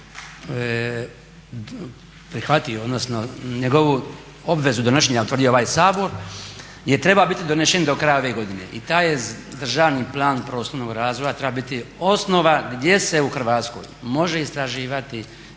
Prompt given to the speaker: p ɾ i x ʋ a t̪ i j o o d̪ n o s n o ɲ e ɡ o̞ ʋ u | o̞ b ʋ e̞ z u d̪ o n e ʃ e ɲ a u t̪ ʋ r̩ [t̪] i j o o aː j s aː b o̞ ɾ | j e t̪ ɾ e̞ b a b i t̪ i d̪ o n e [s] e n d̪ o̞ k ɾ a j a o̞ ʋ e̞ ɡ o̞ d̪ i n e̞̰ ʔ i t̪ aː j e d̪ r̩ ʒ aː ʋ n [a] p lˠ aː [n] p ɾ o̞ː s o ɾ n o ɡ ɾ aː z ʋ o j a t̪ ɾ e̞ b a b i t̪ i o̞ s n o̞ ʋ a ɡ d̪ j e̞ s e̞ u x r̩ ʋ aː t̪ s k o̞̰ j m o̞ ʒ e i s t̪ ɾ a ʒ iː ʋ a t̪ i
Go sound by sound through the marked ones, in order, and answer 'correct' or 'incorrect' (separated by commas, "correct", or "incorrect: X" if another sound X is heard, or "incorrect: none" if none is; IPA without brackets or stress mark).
incorrect: d̪, incorrect: ʃ, incorrect: i, correct